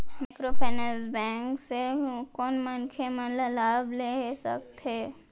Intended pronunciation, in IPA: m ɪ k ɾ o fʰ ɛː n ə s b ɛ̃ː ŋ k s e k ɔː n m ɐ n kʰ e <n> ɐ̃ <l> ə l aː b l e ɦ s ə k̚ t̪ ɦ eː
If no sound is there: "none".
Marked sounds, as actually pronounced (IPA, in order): m, l

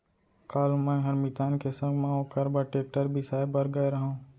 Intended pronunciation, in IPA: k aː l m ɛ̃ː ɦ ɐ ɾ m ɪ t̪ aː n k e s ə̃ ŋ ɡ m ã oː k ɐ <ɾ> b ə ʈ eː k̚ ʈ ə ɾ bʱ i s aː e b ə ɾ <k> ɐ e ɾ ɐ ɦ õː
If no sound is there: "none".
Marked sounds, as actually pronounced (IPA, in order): ɾ, ɡ

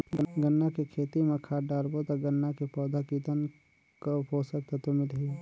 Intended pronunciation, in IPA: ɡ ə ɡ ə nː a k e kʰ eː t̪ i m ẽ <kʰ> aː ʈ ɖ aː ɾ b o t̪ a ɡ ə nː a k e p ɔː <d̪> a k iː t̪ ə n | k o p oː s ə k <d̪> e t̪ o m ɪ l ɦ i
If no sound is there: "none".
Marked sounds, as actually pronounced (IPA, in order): kʰ, d̪, t̪

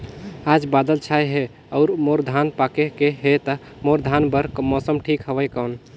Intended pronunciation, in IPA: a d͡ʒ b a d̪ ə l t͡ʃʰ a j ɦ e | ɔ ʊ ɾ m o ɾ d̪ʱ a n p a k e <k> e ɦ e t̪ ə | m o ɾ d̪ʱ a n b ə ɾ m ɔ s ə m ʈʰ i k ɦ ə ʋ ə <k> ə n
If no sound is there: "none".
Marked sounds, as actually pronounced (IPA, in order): k, k

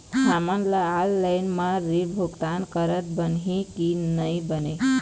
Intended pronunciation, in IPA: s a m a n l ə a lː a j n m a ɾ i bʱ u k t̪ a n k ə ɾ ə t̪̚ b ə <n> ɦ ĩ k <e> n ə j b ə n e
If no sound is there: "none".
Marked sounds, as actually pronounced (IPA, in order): n, i

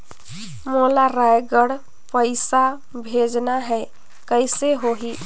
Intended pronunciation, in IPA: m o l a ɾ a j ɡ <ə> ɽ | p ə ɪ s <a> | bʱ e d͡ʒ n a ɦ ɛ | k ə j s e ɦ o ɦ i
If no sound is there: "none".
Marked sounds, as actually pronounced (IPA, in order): ə, a

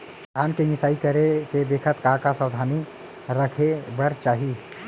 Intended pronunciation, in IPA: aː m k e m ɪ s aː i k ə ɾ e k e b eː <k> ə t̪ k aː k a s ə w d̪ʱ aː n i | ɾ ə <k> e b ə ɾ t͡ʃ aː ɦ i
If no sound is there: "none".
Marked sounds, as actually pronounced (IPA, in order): kʰ, kʰ

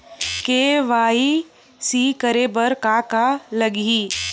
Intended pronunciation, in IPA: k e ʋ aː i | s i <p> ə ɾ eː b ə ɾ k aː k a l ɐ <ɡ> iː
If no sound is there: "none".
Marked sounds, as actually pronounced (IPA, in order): k, ɡ

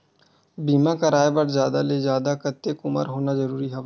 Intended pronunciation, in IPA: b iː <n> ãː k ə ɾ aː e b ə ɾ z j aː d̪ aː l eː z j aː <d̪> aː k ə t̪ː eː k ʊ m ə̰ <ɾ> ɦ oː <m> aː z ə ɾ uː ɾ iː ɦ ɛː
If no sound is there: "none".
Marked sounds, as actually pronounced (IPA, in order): m, d̪, ɾ, n

